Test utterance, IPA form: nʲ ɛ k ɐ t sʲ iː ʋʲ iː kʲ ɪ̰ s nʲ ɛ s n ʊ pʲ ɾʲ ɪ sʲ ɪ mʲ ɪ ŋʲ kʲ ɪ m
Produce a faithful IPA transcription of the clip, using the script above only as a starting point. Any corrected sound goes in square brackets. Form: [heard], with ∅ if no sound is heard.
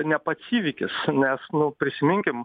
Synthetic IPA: nʲ ɛ [p] ɐ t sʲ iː ʋʲ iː kʲ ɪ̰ s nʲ ɛ s n ʊ pʲ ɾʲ ɪ sʲ ɪ mʲ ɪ ŋʲ kʲ ɪ m